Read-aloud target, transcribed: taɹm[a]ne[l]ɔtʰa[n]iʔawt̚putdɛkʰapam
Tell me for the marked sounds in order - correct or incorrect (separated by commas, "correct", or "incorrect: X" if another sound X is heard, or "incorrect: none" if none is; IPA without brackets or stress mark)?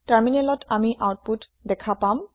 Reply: incorrect: i, correct, incorrect: m